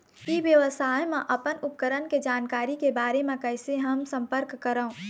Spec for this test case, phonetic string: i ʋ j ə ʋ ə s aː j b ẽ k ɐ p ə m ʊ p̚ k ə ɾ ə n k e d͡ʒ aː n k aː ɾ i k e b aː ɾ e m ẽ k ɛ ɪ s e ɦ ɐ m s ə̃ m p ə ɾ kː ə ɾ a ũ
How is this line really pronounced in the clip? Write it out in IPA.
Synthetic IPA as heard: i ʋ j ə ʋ ə s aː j m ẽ ʔ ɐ p ə n ʊ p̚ k ə ɾ ə n k e d͡ʒ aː n k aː ɾ i k e b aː ɾ e m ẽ k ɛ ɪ s e ɦ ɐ m s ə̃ m p ə ɾ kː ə ɾ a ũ